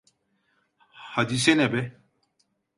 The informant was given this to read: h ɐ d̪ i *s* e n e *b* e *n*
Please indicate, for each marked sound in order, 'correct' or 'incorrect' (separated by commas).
correct, correct, incorrect